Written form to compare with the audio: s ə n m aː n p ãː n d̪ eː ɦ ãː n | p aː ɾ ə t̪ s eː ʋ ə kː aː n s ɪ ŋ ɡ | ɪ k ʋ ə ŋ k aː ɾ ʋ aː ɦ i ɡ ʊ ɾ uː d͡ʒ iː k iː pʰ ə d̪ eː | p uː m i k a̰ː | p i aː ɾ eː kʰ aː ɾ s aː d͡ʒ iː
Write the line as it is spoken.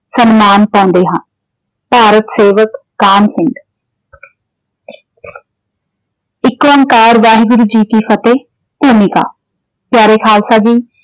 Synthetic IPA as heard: s ə n m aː n p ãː n d̪ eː ɦ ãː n | p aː ɾ ə t̪ s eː ʋ ə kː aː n s ɪ ŋ ɡ | ɪ k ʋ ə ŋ k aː ɾ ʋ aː ɦ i ɡ ʊ ɾ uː d͡ʒ iː k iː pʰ ə t̪ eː | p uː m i k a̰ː | p j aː ɾ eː kʰ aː l s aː d͡ʒ iː

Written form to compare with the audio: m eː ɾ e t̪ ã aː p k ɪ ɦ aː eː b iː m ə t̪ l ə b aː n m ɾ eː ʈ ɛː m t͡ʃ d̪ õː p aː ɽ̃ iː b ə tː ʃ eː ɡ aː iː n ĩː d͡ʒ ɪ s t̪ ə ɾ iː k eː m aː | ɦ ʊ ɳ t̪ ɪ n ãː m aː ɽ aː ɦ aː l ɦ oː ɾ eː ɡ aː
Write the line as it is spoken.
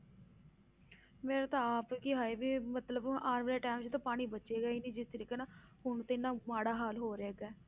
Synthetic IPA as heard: m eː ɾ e t̪ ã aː p k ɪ ɦ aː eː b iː m ə t̪ l ə b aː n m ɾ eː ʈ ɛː m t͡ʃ t̪ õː p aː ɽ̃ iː b ə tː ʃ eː ɡ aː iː n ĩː d͡ʒ ɪ s t̪ ə ɾ iː k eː n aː | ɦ ʊ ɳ t̪ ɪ n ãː m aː ɽ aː ɦ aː l ɦ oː ɾ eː ɡ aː

